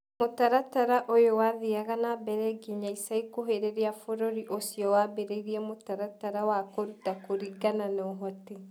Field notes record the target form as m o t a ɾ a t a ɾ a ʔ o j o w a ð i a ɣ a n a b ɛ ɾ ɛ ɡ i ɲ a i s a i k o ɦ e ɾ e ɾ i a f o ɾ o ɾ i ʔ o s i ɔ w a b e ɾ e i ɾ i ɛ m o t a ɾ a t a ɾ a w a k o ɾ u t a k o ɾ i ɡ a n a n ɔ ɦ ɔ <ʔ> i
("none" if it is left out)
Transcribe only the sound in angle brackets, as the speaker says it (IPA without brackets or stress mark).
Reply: t